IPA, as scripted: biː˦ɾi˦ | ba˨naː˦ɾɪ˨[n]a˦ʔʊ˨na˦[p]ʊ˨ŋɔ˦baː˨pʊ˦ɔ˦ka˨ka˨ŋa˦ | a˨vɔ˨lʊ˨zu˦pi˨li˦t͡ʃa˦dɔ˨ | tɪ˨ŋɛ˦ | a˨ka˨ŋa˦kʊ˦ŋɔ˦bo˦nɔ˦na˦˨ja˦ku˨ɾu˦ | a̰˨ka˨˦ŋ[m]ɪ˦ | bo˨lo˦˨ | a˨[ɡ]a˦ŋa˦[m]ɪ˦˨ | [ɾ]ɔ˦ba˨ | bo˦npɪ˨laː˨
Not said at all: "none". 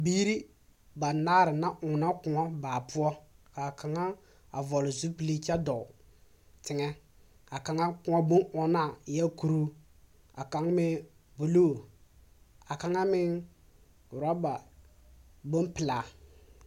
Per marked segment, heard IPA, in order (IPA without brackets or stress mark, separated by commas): n, k, m, k, m, ɾ